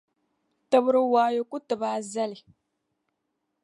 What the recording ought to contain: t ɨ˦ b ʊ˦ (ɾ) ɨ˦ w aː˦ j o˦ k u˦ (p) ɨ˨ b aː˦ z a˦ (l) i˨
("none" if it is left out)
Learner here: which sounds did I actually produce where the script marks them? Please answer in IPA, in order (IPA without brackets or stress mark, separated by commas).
ɾ, t, l